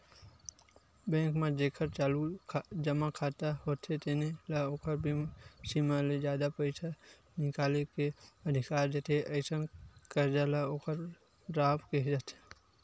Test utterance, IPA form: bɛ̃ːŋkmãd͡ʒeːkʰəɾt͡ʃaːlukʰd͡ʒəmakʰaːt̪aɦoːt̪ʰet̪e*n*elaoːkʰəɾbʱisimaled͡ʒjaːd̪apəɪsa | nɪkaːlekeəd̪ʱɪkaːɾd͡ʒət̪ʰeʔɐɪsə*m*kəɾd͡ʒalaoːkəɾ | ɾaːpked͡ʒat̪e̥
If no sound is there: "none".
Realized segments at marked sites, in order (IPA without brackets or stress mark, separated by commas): n, n